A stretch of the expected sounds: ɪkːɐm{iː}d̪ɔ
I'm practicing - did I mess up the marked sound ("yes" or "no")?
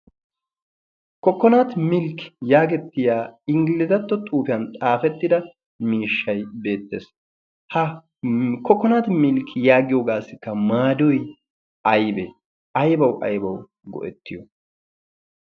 yes